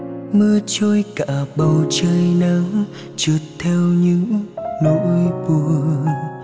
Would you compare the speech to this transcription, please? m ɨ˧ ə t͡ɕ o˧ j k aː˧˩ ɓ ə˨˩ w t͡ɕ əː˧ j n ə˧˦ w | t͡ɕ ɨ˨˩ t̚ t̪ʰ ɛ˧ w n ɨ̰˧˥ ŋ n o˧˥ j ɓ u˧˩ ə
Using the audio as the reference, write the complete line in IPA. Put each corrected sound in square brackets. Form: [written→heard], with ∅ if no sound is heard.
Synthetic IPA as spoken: m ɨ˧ ə t͡ɕ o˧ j k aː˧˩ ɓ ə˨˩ w t͡ɕ əː˧ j n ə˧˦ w | t͡ɕ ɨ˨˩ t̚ t̪ʰ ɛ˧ w [n→ɲ] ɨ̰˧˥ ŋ n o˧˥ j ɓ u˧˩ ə